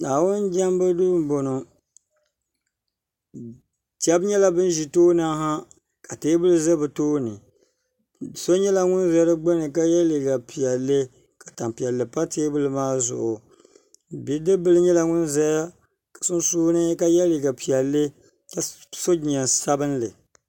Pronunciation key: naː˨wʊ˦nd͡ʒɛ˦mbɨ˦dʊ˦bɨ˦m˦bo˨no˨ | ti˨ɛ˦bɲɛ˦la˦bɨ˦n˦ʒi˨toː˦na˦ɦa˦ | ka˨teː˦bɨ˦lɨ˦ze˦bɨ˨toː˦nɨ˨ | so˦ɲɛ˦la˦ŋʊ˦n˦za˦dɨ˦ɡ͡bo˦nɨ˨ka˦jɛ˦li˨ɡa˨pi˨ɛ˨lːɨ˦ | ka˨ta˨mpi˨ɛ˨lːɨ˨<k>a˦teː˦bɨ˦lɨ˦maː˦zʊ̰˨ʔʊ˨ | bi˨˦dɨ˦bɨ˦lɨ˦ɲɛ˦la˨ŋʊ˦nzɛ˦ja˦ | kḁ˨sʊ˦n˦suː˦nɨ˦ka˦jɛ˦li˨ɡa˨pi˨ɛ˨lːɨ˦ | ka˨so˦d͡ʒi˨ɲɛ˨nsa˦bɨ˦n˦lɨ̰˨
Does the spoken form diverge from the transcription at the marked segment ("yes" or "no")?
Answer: yes